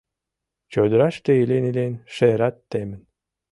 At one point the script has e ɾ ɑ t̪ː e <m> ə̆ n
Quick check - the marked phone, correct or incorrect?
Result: correct